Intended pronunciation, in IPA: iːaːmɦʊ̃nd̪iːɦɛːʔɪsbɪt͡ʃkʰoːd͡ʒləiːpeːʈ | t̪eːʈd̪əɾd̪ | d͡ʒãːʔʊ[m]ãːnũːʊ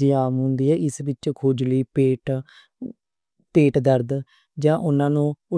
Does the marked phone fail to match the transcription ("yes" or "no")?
yes